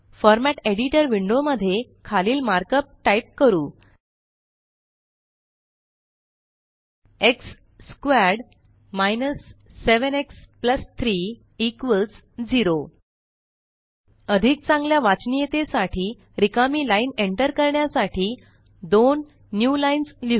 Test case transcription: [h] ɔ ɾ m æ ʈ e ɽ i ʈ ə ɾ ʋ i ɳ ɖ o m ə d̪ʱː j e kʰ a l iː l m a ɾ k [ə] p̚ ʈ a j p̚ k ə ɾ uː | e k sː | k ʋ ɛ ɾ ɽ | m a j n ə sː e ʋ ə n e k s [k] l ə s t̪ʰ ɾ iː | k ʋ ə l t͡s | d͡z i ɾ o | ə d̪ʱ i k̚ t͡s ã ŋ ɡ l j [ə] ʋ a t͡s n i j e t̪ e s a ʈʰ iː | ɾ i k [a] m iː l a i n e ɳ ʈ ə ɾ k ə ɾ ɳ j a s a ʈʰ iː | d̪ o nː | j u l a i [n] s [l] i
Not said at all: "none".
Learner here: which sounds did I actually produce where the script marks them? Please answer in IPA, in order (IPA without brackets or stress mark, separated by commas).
f, ə, p, a, a, n, l